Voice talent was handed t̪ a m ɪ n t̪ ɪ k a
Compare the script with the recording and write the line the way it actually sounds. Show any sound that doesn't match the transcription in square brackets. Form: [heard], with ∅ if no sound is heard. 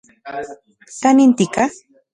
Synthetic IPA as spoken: t̪ a [n] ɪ n t̪ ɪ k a